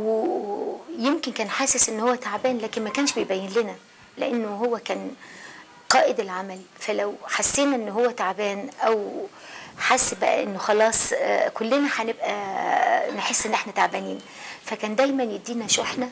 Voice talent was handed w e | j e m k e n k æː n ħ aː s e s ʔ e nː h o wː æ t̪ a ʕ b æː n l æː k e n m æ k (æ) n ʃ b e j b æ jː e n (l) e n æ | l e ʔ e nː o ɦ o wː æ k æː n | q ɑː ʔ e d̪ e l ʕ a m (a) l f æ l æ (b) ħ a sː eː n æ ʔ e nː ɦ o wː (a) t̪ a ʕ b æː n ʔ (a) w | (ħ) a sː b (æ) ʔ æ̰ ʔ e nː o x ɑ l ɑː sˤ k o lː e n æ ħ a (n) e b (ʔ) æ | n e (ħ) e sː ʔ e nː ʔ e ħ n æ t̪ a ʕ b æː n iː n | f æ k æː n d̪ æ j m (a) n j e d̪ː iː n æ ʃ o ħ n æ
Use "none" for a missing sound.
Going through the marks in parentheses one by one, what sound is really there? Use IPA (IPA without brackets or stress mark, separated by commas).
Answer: æː, l, æ, w, æ, æ, ħ, æ, n, ʔ, ħ, æ